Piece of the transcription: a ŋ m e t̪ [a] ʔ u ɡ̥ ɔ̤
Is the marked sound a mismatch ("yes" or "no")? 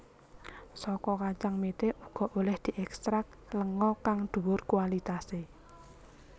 yes